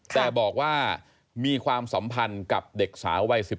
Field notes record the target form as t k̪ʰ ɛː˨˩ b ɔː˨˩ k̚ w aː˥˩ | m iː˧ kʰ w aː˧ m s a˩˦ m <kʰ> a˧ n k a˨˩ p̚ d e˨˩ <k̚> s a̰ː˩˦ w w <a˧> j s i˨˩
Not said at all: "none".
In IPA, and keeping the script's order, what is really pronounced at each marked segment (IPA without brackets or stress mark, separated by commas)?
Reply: pʰ, k̚, a˧